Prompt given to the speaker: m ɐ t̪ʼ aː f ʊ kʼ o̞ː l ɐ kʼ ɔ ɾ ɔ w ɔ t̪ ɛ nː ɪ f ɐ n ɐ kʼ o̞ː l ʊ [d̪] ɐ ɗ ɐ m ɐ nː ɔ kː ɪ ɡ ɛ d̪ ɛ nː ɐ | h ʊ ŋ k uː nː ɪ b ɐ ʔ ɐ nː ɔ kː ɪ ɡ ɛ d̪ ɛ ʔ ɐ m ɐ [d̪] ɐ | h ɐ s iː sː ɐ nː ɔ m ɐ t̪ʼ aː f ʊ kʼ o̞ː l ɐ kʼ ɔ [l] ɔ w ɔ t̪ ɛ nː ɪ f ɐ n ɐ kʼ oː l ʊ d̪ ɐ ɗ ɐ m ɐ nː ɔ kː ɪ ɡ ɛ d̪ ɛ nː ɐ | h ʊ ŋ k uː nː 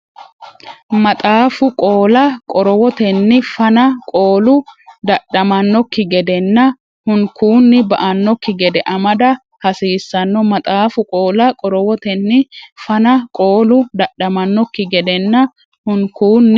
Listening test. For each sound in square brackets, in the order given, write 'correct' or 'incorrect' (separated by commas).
correct, correct, incorrect